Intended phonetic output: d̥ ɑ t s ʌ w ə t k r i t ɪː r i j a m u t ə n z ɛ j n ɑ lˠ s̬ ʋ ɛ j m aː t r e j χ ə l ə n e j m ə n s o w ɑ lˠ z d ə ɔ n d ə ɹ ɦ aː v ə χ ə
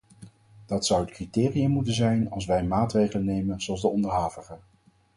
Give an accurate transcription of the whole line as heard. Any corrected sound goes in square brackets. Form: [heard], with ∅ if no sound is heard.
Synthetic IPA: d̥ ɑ t s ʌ w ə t k r i t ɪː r i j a m u t ə n z ɛ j n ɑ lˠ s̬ ʋ ɛ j m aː t r e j χ ə l ə n e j m ə n [z] o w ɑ lˠ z d ə ɔ n d ə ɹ ɦ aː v ə χ ə